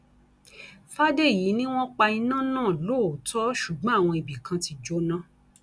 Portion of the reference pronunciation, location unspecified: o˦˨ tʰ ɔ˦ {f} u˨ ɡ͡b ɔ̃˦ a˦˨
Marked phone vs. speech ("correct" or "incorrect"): incorrect